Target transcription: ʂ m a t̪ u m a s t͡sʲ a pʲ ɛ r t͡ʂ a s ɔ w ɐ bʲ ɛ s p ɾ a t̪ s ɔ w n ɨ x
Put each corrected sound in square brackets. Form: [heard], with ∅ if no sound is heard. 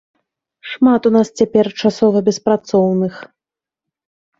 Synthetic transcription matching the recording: ʂ m a t̪ u [n] a s t͡sʲ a pʲ ɛ r t͡ʂ a s ɔ [v] ɐ bʲ ɛ s p ɾ a t̪ s ɔ w n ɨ x